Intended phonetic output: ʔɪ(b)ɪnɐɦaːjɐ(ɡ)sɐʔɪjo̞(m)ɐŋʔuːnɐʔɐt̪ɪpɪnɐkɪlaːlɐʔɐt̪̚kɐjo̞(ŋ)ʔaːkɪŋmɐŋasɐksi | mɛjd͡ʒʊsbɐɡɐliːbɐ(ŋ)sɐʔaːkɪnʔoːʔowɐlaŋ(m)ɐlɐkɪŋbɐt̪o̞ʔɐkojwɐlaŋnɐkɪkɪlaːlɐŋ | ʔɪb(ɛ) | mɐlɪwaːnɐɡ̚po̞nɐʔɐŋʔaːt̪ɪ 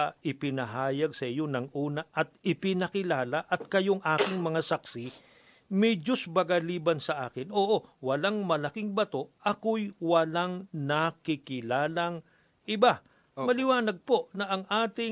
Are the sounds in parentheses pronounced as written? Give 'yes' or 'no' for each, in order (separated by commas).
no, yes, no, yes, no, yes, no